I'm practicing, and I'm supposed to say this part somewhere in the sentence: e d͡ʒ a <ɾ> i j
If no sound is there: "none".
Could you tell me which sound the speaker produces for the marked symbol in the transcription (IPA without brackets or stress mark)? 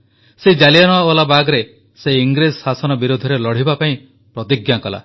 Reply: l